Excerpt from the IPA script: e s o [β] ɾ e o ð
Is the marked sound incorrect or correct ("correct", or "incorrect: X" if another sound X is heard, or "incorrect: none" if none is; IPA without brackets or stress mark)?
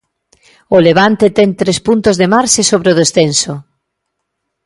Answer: correct